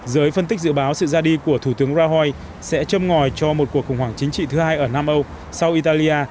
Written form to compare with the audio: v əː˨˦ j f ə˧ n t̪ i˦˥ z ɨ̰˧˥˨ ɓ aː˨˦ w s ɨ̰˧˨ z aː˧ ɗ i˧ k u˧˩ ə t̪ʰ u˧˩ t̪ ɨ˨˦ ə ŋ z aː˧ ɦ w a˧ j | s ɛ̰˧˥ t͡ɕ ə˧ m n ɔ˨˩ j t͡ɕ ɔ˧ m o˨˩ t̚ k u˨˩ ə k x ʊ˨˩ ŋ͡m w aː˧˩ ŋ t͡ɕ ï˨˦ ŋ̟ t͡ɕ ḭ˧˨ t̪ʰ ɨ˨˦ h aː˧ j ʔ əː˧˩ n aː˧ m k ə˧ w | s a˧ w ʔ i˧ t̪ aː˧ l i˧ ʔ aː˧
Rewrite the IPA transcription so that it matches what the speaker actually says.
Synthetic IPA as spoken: z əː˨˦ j f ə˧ n t̪ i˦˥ z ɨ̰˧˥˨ ɓ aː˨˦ w s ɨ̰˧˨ z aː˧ ɗ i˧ k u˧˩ ə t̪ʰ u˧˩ t̪ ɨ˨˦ ə ŋ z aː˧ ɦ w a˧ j | s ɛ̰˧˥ t͡ɕ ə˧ m ŋ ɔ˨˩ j t͡ɕ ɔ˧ m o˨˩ t̚ k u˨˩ ə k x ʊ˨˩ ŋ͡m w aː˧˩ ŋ t͡ɕ ï˨˦ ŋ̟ t͡ɕ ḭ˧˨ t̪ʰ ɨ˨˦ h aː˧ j ʔ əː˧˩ n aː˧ m ʔ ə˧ w | s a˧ w ʔ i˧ t̪ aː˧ l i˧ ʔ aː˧